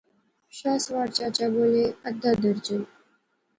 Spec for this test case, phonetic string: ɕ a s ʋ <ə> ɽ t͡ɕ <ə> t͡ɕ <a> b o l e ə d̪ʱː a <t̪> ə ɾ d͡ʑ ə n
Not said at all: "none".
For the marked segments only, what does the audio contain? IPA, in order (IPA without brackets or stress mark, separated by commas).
a, a, a, d̪